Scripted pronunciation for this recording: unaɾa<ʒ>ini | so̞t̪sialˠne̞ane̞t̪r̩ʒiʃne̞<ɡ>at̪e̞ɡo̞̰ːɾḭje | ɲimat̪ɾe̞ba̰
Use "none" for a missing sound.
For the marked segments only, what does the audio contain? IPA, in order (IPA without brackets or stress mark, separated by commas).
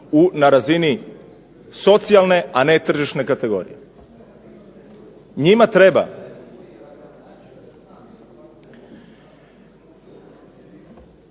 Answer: z, k